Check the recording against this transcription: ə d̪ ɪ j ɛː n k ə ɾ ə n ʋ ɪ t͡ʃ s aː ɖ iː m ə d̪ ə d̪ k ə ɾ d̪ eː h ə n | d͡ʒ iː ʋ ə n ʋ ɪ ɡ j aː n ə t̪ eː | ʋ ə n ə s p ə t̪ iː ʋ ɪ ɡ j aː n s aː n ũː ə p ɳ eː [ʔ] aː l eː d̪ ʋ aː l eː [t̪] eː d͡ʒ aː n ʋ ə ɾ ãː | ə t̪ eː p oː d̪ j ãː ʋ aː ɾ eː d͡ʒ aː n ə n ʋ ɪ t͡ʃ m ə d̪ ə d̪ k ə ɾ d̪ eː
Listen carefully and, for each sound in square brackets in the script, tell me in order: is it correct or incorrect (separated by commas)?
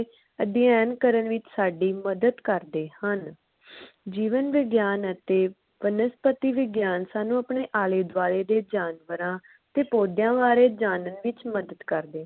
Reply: correct, incorrect